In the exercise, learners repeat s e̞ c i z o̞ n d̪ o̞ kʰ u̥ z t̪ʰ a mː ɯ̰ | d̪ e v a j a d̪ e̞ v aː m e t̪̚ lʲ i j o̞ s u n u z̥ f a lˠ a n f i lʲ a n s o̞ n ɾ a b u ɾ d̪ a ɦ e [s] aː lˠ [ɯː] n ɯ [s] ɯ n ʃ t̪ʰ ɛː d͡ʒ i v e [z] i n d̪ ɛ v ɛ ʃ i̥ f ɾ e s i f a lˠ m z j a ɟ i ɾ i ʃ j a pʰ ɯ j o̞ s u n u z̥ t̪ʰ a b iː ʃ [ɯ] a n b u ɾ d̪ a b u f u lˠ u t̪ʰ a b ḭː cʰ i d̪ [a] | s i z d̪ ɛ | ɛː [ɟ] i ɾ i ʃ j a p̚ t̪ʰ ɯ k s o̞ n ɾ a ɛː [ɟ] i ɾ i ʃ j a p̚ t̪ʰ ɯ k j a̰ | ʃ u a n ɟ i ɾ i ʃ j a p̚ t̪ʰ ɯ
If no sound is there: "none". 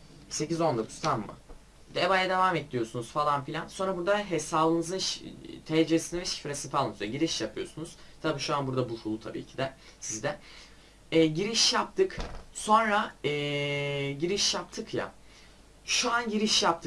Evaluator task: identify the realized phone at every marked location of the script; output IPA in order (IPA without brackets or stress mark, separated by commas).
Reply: s, ɯ, z, s, u, ɛ, ɟ, ɟ